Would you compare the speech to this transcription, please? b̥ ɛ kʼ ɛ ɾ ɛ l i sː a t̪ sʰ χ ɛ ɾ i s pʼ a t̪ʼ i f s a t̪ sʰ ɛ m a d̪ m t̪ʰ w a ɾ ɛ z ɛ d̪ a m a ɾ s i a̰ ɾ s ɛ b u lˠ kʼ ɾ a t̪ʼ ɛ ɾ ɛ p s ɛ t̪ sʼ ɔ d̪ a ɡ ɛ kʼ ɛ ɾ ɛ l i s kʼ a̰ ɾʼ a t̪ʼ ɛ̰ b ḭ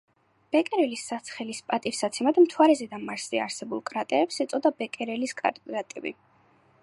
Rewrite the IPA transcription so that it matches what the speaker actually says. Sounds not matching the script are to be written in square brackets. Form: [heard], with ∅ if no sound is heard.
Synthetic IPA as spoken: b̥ ɛ kʼ ɛ ɾ ɛ l i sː a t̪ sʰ χ ɛ [l] i s pʼ a t̪ʼ i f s a t̪ sʰ ɛ m a d̪ m t̪ʰ w a ɾ ɛ z ɛ d̪ a m a ɾ s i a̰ ɾ s ɛ b u lˠ kʼ ɾ a t̪ʼ ɛ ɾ ɛ p s ɛ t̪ sʼ ɔ d̪ a [b] ɛ kʼ ɛ ɾ ɛ l i s kʼ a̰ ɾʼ a t̪ʼ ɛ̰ b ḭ